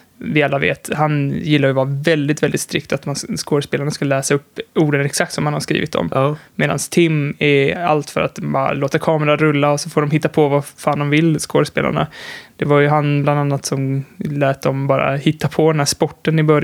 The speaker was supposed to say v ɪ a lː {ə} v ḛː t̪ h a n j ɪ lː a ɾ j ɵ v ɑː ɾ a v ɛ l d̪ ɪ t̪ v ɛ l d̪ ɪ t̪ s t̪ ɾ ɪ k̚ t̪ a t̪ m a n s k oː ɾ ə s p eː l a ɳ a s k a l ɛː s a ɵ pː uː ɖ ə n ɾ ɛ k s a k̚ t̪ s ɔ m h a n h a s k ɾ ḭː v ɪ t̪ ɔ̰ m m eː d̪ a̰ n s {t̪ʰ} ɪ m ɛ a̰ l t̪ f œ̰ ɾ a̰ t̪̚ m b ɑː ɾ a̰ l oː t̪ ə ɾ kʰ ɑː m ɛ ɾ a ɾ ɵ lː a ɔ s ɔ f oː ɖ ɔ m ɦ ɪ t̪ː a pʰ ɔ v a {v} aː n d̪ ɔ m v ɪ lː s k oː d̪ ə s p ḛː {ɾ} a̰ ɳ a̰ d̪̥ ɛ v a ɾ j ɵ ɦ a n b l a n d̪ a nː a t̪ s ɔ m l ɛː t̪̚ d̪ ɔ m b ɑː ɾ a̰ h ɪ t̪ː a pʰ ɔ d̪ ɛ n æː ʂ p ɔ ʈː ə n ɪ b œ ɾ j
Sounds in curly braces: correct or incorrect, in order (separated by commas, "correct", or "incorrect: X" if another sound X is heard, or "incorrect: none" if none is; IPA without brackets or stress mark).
incorrect: a, correct, incorrect: f, incorrect: l